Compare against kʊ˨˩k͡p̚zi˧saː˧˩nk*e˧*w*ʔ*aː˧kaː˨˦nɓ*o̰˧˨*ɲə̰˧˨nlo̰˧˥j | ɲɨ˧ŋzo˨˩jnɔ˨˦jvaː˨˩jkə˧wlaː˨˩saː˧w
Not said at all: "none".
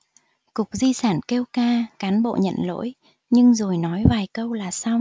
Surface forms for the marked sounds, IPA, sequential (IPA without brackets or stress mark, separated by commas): e˧, k, o̰˧˨